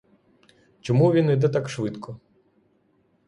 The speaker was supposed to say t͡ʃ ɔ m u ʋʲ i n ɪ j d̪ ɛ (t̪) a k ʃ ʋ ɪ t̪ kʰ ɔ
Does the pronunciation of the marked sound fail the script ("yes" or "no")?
no